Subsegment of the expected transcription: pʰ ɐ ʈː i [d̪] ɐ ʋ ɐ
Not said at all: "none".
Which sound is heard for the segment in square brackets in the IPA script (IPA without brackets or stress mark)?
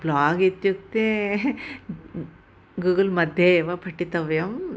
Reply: t̪